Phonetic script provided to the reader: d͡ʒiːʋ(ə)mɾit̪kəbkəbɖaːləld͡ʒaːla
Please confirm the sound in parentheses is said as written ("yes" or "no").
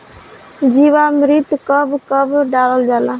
no